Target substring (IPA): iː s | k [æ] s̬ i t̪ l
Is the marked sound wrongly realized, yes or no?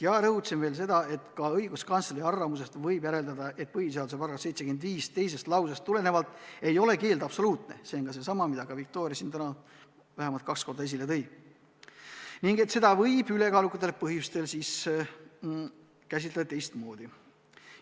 no